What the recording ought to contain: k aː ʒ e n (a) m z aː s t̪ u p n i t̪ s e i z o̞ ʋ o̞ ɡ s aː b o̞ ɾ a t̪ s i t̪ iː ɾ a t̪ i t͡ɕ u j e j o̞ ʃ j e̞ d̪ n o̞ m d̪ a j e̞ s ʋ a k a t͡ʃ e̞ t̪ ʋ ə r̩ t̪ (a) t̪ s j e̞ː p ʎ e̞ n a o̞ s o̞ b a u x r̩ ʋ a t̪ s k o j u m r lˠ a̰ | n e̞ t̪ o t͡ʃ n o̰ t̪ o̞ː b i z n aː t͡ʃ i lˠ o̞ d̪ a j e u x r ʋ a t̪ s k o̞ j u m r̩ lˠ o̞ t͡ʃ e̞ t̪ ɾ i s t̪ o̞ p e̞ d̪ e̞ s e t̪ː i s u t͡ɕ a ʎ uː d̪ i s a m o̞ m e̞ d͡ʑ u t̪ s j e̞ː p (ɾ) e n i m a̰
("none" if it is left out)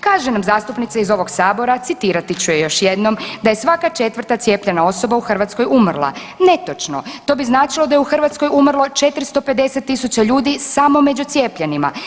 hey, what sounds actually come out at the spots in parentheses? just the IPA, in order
a, a, ʎ

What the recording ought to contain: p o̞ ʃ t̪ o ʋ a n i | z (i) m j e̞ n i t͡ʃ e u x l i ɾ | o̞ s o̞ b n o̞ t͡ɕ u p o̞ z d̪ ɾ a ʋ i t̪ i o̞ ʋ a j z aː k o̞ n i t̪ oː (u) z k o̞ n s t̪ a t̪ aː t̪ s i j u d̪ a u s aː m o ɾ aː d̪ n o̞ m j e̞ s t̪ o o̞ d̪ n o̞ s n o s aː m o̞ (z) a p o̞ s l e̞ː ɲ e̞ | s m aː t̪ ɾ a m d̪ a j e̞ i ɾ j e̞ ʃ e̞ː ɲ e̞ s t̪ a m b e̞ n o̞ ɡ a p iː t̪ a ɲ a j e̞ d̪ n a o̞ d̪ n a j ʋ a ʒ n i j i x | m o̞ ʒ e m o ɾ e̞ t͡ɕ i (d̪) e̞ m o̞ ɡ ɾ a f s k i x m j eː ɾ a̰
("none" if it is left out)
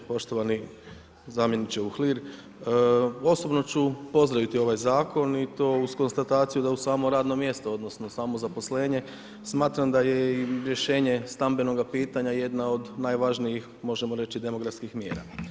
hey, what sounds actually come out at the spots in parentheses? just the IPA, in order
a, u, z, d̪

